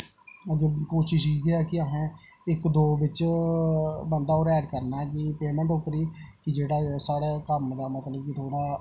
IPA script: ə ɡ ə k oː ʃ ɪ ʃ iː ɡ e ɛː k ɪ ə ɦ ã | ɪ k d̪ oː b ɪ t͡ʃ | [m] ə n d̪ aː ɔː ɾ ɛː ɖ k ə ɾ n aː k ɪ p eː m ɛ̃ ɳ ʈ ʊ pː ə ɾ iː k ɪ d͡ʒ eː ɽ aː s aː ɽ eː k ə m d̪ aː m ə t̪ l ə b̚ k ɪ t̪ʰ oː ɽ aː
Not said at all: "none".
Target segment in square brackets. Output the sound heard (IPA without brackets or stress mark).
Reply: b